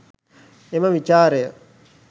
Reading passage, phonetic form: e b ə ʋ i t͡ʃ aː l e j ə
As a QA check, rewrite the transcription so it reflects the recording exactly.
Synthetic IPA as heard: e m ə ʋ i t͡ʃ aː ɾ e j ə